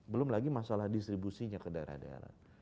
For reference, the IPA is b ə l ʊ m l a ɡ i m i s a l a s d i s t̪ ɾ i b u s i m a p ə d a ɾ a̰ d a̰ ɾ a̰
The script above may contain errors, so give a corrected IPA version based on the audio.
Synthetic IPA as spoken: b ə l ʊ m l a ɡ i m a s a l a h d i s t̪ ɾ i b u s i ɲ a k ə d a ɾ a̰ d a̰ ɾ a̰